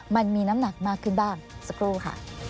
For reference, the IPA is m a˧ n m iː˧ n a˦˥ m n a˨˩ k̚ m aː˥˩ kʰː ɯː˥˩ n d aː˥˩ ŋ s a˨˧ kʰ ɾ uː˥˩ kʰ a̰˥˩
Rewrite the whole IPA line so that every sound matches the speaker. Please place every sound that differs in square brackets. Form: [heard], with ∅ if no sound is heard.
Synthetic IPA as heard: m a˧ n m iː˧ n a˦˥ m n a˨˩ k̚ m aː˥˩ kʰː [ɯ˥˩] n [b] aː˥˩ ŋ s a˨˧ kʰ ɾ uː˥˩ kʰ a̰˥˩